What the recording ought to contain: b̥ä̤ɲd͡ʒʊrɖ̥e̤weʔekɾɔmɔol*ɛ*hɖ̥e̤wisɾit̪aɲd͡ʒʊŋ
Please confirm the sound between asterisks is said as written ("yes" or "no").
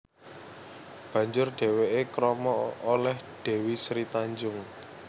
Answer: yes